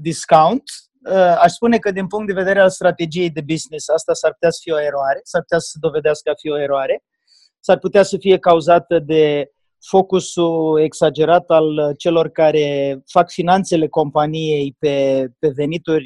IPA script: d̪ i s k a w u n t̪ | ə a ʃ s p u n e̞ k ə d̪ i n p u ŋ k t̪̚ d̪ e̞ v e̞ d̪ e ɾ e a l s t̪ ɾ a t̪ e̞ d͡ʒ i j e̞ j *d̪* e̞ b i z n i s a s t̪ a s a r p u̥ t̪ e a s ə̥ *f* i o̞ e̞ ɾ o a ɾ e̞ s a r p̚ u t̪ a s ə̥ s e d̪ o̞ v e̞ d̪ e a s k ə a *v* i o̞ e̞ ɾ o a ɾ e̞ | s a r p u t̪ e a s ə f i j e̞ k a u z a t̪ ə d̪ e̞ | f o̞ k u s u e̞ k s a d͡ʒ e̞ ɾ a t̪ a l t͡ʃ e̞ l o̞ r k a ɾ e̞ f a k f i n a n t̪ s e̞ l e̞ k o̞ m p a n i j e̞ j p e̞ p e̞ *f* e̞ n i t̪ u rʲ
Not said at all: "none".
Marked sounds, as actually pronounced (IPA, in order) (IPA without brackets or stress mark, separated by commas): d̪, f, f, v